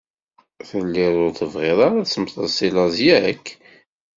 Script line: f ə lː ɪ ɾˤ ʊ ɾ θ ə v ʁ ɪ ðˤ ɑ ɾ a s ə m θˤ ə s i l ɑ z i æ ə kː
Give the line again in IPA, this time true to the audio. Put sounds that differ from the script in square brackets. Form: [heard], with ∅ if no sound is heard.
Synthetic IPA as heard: [θ] ə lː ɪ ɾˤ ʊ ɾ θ ə v ʁ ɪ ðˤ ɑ ɾ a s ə m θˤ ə s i l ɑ z [j] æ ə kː